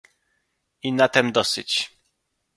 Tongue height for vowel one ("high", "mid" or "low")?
high